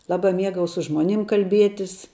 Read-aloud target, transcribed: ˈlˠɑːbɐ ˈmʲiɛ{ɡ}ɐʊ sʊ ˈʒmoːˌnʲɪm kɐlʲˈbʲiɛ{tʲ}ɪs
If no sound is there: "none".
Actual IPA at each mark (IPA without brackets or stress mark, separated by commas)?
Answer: ɡ, tʲ